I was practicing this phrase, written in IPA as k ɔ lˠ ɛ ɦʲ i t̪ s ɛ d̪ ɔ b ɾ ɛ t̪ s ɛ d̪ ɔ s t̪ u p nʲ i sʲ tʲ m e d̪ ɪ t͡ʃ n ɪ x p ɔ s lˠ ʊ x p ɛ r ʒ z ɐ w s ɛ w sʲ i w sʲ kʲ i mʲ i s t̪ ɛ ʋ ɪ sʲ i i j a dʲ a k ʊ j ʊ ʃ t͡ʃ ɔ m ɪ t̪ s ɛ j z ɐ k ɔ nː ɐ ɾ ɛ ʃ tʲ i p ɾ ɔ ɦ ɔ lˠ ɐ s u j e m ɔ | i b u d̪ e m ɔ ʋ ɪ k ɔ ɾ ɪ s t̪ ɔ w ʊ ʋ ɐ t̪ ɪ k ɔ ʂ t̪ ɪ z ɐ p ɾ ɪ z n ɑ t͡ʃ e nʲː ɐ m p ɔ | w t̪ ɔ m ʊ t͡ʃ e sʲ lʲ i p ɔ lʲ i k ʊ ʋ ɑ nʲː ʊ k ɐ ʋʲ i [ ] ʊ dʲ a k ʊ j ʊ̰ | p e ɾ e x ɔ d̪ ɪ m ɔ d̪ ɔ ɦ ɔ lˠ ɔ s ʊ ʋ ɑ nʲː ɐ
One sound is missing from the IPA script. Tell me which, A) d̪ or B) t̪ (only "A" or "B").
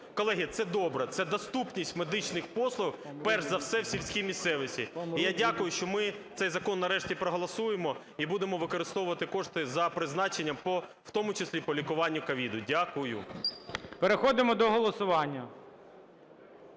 A